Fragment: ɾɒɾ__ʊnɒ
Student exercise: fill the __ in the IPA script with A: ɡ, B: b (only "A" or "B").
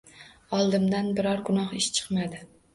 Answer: A